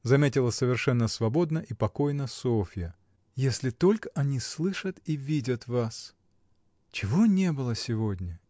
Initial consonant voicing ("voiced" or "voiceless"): voiced